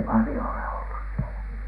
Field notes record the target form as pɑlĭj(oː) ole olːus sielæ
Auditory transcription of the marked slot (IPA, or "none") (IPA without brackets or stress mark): o